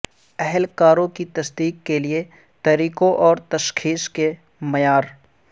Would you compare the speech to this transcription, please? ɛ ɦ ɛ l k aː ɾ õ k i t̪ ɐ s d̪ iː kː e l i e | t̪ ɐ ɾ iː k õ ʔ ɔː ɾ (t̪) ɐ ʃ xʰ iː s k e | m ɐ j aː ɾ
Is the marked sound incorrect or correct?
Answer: correct